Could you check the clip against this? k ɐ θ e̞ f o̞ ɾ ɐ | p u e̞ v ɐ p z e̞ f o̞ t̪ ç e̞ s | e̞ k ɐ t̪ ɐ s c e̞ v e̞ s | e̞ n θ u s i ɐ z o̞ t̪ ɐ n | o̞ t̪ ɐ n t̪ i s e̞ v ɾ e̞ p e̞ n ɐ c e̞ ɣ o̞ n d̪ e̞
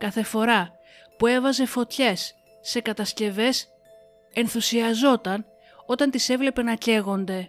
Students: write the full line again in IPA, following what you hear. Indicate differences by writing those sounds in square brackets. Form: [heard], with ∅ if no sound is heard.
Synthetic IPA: k ɐ θ e̞ f o̞ ɾ ɐ | p u e̞ v ɐ [∅] z e̞ f o̞ t̪ ç e̞ [sː] | e̞ k ɐ t̪ ɐ s c e̞ v e̞ s | e̞ n θ u s i ɐ z o̞ t̪ ɐ n | o̞ t̪ ɐ n t̪ i s e̞ v [l] e̞ p e̞ n ɐ c e̞ ɣ o̞ n d̪ e̞